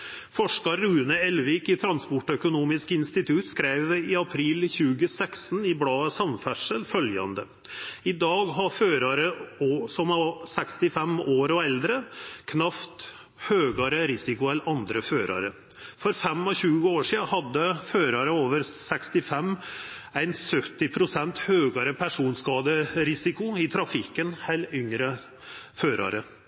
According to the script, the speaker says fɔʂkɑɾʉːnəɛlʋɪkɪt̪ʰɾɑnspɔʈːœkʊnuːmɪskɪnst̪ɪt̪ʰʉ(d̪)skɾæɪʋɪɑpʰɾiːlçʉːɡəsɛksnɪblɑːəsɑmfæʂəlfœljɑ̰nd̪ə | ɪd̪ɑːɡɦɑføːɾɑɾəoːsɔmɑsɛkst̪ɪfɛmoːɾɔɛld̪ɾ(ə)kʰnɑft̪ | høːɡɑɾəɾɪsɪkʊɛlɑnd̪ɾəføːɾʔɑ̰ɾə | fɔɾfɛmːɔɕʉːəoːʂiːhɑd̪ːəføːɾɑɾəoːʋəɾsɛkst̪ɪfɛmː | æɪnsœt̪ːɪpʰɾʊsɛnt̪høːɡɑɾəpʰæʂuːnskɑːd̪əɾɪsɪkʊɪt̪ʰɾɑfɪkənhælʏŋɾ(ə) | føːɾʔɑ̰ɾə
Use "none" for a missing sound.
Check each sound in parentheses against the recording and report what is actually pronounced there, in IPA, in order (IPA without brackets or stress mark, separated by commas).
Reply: t̪, ə, ə